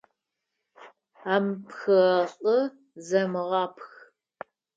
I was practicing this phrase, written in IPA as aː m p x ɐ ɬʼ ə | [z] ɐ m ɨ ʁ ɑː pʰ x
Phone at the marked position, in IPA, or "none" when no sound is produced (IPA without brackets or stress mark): z